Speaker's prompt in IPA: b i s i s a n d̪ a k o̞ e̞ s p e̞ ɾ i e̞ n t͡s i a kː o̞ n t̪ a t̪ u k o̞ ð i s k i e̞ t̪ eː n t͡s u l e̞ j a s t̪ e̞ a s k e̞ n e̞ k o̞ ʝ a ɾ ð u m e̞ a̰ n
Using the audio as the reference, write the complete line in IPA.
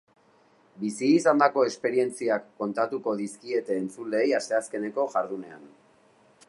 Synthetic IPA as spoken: b i s iː s a n d̪ a k o̞ e̞ s p e̞ ɾ i e̞ n t͡s i a kː o̞ n t̪ a t̪ u k o̞ ð i s k i e̞ t̪ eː n t͡s u l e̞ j a s t̪ e̞ a s k e̞ n e̞ k o̞ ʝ a ɾ ð u n e̞ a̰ n